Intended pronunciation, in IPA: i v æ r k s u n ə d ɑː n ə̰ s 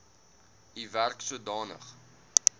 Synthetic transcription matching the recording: i v æ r k s u ə d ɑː n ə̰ χ